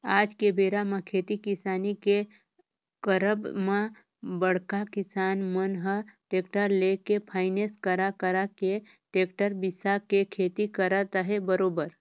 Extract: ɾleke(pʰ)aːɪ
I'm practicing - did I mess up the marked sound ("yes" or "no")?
no